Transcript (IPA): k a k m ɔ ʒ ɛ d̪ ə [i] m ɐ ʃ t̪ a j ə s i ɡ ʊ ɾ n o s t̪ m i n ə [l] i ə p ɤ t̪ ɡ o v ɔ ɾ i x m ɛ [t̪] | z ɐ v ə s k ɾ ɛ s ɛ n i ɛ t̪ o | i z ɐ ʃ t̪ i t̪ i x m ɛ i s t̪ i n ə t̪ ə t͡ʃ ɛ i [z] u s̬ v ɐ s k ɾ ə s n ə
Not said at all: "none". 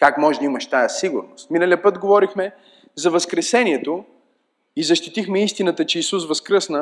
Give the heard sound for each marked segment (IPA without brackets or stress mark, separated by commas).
i, l, none, s